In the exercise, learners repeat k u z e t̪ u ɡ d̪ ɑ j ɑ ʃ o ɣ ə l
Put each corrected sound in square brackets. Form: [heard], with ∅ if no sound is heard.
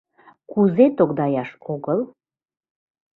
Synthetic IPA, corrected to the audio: k u z e t̪ [o] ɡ d̪ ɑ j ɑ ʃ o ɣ ə l